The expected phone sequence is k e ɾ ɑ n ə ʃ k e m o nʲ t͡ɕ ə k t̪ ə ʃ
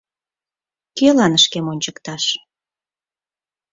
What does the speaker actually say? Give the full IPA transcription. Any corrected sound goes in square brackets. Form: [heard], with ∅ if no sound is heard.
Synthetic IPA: k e [l] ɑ n ə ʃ k e m o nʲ t͡ɕ ə k t̪ [ɑ] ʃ